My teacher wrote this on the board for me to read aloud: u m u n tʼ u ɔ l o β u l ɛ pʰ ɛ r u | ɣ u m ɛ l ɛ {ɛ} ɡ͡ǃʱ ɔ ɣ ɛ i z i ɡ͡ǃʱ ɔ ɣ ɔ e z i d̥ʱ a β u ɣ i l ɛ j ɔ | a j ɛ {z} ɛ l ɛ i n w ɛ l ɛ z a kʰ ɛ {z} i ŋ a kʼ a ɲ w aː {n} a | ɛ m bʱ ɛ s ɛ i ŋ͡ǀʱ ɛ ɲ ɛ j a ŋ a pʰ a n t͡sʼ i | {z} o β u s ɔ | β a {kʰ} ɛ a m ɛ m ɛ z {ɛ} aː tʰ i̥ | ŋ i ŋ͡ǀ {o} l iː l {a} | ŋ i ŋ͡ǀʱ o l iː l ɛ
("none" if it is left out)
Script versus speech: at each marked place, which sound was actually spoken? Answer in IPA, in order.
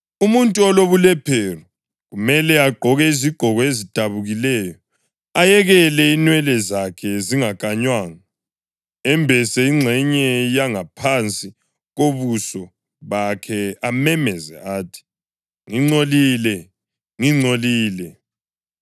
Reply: a, ɣ, z, ŋ, ɣ, kʰ, ɛ, o, ɛ

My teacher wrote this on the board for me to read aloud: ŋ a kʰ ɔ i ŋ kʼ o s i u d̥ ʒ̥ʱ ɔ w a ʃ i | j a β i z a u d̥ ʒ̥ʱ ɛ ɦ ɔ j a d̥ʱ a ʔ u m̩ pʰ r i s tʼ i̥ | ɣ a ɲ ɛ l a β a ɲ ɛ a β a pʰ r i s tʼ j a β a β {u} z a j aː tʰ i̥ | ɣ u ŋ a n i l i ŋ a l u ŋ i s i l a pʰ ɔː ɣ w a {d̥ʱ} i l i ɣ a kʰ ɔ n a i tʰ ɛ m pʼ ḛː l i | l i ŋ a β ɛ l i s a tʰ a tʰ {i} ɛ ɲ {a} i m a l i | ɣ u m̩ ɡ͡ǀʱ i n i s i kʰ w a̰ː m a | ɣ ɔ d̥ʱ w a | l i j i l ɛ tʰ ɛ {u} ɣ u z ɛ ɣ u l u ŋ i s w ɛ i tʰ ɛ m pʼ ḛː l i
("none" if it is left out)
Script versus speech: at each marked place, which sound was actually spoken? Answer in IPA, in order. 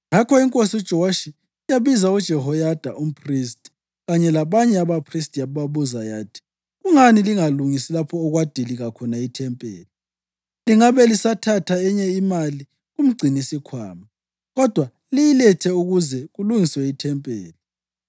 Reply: u, d̥ʱ, a, ɛ, u

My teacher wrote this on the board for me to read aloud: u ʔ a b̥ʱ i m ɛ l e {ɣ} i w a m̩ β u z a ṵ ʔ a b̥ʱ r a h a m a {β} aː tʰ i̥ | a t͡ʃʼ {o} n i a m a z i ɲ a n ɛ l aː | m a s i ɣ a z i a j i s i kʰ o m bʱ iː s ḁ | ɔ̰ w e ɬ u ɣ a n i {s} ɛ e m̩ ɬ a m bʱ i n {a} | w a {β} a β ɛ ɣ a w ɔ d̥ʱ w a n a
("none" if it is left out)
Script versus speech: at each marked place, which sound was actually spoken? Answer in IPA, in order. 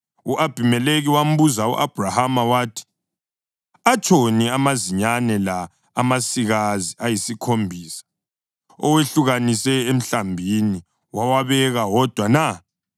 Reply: ɣ, w, o, s, i, w

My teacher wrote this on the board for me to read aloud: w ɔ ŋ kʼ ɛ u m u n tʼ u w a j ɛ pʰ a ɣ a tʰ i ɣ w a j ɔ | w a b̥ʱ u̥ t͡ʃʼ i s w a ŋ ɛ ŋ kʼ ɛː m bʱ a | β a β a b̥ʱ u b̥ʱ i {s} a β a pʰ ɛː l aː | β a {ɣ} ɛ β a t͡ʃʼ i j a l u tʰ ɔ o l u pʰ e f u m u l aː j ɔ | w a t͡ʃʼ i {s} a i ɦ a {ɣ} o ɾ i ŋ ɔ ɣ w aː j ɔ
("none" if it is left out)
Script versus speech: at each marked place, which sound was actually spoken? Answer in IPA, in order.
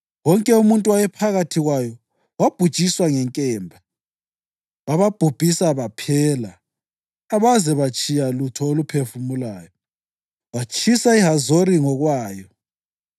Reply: s, z, s, z

